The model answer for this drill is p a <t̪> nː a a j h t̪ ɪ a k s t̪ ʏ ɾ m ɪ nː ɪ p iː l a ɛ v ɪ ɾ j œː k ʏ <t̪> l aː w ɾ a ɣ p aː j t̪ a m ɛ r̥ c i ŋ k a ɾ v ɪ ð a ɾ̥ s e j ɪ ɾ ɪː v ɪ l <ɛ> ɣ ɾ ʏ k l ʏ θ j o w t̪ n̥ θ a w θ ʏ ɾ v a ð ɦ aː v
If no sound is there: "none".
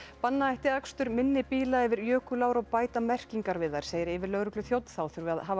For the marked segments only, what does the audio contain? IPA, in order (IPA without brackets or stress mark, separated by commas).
none, none, œ